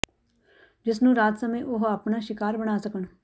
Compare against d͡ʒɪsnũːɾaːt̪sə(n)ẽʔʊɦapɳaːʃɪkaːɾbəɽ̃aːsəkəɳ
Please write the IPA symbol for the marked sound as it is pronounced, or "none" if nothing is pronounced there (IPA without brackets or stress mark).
m